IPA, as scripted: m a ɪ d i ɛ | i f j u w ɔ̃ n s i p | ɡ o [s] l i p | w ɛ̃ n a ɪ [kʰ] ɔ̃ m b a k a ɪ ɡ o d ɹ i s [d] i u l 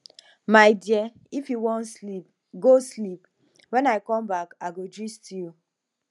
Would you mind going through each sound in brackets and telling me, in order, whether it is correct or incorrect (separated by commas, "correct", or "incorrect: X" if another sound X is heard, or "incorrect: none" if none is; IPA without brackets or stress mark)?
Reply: correct, incorrect: k, incorrect: t